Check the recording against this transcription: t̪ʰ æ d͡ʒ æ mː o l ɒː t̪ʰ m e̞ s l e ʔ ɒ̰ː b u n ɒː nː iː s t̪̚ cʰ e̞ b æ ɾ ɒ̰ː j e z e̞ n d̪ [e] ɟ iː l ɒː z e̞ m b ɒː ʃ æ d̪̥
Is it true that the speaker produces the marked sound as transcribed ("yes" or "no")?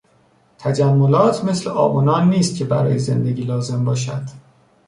yes